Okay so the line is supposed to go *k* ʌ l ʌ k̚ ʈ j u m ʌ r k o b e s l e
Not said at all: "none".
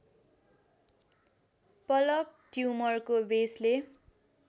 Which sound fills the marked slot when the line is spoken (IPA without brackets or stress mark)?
p